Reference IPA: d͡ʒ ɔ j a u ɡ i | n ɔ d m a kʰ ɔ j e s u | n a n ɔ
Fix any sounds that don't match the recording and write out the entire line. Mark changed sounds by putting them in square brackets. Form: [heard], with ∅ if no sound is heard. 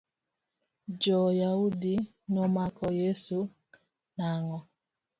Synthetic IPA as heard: d͡ʒ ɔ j a u [d] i | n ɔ [∅] m a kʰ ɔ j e s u | n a [ŋ] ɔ